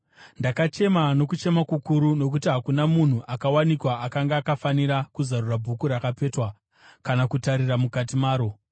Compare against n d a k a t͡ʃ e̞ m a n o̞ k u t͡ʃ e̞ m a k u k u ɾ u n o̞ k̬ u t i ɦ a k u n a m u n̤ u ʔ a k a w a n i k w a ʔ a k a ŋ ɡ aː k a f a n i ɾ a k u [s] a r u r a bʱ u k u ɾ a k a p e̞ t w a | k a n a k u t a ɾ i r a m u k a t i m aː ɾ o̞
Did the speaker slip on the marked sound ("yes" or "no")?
yes